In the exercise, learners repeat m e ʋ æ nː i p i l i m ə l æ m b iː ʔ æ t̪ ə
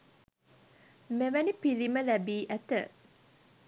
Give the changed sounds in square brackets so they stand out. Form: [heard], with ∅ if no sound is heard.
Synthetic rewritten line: m e ʋ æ [n] i p i l i m ə l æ [∅] b iː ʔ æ t̪ ə